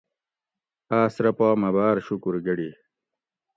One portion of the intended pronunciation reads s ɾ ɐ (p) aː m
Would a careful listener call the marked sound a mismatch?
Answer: no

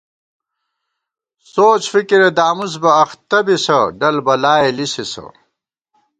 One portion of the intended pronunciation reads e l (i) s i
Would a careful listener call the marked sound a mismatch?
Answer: no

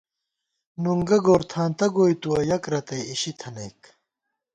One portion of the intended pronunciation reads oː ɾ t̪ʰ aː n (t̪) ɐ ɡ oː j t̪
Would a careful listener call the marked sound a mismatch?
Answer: no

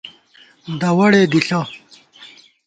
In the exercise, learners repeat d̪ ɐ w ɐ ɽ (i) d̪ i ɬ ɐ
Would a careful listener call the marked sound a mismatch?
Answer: yes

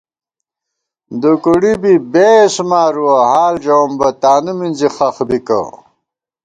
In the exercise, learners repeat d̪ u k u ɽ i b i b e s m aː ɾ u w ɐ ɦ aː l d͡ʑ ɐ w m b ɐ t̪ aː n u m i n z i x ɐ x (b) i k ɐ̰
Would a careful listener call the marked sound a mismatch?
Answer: no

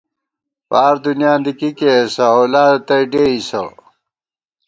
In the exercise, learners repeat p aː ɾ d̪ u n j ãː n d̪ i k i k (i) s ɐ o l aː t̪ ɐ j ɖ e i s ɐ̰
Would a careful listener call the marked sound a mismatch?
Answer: yes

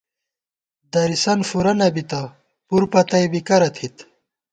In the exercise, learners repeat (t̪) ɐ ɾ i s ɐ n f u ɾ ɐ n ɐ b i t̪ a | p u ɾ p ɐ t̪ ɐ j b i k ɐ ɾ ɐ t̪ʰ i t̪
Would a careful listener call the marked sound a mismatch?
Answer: yes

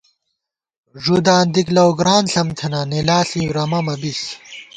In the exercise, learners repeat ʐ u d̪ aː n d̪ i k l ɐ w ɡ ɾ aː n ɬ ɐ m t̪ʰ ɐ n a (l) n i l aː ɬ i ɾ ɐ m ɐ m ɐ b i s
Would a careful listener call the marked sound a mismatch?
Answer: yes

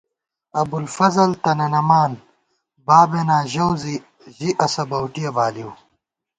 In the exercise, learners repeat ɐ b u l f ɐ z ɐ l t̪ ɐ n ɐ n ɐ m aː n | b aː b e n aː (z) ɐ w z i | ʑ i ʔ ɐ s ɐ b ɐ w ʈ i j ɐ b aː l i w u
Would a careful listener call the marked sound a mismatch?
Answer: yes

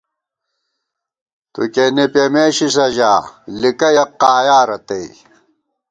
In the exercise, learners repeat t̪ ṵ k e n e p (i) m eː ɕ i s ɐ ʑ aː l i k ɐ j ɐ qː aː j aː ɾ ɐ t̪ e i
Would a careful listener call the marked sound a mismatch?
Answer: yes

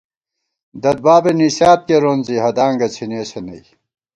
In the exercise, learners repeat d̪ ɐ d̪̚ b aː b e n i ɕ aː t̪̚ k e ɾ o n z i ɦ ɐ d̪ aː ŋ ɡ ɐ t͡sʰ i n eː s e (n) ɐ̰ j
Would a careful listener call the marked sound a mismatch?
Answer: no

